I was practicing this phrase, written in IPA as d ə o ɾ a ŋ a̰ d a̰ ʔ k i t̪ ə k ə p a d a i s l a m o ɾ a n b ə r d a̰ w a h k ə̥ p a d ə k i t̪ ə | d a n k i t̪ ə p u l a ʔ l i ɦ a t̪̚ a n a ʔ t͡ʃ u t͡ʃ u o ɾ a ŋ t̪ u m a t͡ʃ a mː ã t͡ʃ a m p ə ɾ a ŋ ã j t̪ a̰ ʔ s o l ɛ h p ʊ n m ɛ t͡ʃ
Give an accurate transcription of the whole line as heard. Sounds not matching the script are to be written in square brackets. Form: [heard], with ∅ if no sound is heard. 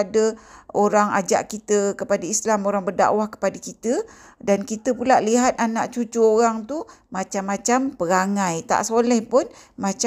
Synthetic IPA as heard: d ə o ɾ a ŋ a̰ [d͡ʒ] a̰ ʔ k i t̪ ə k ə p a d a i s l a m o ɾ a [ŋ] b ə r d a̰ w a h k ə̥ p a d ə k i t̪ ə | d a n k i t̪ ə p u l a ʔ l i ɦ a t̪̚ a n a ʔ t͡ʃ u t͡ʃ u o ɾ a ŋ t̪ u m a t͡ʃ a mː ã t͡ʃ a m p ə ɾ a ŋ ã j t̪ a̰ ʔ s o l ɛ h p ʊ n m [a] t͡ʃ